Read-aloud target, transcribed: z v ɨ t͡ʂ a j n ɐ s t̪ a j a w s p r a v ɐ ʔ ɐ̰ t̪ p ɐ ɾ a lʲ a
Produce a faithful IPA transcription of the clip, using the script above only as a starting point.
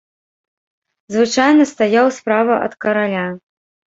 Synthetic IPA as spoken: z v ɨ t͡ʂ a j n ɐ s t̪ a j a w s p ɾ a v ɐ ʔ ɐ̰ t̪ k ɐ ɾ a lʲ a